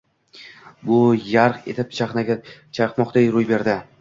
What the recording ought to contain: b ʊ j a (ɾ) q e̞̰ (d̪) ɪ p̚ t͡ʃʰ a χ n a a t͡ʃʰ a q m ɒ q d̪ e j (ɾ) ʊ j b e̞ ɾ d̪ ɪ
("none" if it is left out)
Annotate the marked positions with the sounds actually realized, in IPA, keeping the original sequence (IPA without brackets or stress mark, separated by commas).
ɾ, t̪, ɾ